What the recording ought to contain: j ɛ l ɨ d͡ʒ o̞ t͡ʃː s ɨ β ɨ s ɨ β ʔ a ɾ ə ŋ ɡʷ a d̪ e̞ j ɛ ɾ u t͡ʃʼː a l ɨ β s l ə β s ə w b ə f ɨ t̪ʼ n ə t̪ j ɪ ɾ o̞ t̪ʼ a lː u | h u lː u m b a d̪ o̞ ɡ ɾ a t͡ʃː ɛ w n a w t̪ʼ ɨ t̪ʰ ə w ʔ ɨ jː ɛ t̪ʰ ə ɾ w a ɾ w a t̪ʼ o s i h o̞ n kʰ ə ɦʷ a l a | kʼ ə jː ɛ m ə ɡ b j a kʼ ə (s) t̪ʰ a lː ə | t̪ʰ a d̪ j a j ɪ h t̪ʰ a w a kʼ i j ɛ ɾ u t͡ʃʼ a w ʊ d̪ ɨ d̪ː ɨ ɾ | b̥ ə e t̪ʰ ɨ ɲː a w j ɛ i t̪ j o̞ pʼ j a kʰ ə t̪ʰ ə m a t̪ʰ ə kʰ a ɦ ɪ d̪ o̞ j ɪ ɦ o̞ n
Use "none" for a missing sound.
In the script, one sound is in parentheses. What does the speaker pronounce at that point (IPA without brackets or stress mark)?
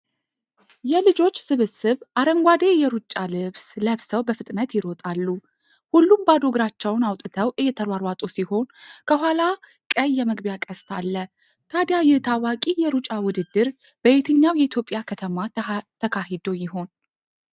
s